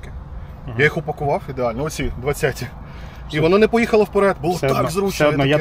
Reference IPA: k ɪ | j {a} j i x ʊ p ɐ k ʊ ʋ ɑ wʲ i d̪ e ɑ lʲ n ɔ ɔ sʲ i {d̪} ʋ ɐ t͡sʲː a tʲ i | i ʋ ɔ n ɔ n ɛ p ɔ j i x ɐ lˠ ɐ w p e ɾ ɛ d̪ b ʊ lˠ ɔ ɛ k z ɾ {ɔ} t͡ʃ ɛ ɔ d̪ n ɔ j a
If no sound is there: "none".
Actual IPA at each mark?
a, d̪, u

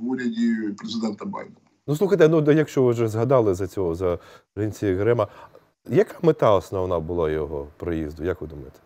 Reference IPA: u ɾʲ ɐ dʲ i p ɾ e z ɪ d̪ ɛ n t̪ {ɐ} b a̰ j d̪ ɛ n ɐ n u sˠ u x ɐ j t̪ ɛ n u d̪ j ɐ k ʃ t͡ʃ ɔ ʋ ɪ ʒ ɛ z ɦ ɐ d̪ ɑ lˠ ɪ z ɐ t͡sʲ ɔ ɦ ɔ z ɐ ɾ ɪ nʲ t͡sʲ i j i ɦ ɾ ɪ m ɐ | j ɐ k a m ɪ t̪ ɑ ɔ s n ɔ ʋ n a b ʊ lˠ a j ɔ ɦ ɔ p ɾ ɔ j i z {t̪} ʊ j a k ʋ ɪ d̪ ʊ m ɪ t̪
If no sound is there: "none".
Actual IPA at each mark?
ɐ, d̪

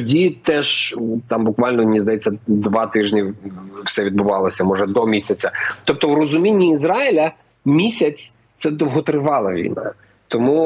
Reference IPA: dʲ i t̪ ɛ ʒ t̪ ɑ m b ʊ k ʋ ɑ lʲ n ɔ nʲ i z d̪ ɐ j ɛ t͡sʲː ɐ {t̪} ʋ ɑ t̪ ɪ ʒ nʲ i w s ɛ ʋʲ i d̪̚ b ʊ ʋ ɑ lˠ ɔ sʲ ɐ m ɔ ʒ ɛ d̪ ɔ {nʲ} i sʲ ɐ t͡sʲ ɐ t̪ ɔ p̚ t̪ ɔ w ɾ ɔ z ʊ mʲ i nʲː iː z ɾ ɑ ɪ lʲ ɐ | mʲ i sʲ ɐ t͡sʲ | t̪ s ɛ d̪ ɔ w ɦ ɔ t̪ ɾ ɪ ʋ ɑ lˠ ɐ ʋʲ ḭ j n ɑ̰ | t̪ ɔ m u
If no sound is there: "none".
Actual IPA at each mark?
d̪, mʲ

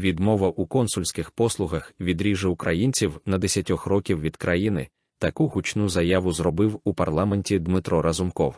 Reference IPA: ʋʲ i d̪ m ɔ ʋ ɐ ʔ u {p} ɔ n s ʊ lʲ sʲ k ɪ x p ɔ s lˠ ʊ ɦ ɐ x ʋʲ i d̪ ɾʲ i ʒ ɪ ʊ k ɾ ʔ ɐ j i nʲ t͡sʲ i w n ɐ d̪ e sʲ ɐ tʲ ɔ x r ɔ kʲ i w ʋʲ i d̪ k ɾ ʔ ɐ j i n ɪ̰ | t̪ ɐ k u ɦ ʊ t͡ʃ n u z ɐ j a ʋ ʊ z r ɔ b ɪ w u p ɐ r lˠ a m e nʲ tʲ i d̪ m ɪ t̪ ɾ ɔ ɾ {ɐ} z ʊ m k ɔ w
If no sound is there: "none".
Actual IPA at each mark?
k, ɐ

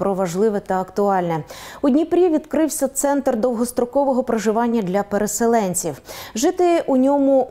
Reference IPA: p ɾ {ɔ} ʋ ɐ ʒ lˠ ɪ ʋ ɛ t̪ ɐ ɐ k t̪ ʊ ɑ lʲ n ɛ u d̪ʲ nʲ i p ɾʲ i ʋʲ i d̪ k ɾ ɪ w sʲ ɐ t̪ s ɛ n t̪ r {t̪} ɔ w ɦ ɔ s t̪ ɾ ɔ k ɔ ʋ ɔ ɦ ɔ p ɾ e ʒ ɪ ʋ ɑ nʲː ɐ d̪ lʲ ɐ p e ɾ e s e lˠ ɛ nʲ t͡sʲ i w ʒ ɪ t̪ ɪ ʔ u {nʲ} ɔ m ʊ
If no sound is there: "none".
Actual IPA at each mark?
ɔ, d̪, nʲ

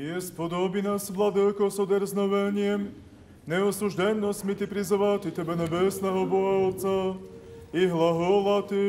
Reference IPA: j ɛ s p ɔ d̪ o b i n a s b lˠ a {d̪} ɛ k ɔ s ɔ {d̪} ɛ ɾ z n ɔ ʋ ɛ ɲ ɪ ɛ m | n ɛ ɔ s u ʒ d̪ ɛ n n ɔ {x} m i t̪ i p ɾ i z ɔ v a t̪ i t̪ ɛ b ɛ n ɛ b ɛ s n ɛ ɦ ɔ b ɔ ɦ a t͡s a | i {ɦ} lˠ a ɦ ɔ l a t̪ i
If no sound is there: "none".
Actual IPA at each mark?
d̪, d̪, s, ɦ

